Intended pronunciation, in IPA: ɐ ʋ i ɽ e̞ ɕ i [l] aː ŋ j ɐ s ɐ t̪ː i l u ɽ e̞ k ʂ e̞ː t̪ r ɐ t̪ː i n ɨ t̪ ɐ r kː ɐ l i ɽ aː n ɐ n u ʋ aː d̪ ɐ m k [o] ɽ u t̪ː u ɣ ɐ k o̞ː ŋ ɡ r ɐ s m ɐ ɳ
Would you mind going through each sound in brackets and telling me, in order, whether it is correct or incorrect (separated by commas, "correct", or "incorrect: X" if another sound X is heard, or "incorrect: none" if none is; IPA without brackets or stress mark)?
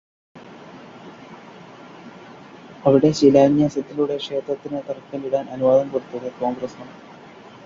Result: correct, correct